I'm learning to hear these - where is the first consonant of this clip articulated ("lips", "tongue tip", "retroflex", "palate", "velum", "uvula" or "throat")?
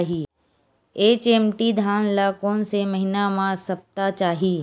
throat